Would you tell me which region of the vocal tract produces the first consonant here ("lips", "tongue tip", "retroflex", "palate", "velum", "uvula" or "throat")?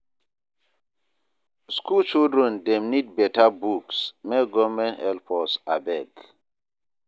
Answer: tongue tip